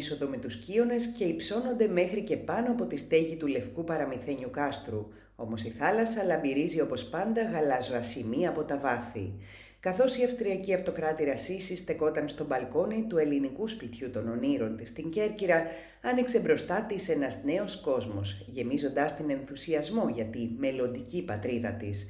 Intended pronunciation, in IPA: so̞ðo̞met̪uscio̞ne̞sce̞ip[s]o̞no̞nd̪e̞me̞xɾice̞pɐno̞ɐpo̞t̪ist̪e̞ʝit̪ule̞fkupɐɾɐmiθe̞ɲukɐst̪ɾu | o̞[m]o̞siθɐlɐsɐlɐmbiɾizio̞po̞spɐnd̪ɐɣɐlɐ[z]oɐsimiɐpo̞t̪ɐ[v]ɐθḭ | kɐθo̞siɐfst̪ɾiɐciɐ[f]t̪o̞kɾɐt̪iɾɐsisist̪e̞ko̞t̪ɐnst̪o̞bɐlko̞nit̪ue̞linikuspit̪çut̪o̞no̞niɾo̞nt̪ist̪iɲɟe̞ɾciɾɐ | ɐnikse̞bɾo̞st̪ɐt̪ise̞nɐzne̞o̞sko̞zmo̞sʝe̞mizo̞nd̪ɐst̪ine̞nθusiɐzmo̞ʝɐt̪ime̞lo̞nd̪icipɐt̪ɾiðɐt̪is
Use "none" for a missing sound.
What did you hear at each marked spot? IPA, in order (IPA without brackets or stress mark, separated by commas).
s, m, z, v, f